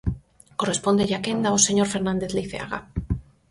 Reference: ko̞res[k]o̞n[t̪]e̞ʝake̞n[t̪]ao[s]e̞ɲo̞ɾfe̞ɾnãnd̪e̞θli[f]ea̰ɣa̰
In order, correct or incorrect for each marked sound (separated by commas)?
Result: incorrect, incorrect, incorrect, correct, incorrect